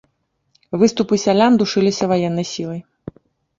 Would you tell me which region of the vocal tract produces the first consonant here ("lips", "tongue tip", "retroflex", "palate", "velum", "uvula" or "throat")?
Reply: lips